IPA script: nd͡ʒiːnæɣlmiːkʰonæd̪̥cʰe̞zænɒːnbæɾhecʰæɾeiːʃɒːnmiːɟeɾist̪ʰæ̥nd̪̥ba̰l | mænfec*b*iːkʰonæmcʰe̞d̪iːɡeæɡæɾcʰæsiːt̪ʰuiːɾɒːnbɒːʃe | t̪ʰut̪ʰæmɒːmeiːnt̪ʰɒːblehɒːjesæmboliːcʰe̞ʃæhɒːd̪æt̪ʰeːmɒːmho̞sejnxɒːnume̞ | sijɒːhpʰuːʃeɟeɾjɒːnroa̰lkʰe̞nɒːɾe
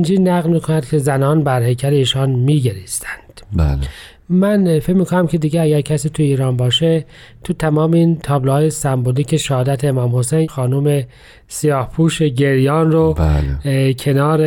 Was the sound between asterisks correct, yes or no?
no